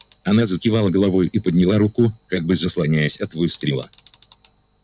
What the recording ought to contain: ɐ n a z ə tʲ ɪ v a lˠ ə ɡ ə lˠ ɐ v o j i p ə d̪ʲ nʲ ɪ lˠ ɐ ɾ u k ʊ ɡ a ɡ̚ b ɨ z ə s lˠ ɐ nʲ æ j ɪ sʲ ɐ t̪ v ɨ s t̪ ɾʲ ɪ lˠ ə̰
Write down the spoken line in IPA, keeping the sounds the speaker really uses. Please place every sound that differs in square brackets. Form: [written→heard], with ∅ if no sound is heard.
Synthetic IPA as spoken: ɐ n a z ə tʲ ɪ v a lˠ ə ɡ ə lˠ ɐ v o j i p ə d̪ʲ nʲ ɪ lˠ [ɐ→a] ɾ u k ʊ [ɡ→k] a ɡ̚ b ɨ z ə s lˠ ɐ nʲ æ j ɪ sʲ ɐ t̪ v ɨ s t̪ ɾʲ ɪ lˠ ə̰